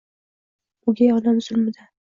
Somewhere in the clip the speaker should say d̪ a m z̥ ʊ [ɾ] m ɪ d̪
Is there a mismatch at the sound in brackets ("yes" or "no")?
yes